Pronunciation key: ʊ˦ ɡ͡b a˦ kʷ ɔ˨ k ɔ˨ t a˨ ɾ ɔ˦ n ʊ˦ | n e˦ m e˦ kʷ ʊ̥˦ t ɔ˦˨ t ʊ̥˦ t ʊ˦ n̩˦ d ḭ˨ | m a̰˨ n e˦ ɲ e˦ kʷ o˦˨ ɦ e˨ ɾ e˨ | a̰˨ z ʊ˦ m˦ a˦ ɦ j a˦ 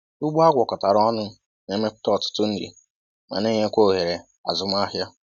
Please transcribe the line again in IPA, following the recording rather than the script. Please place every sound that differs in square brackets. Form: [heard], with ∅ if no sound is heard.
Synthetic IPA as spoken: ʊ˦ ɡ͡b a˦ [ɡʷ] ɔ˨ k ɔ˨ t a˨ ɾ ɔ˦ n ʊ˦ | n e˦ m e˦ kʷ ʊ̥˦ t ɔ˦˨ t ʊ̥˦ t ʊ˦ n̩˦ d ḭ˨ | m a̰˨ n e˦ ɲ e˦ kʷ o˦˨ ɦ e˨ ɾ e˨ | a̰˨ z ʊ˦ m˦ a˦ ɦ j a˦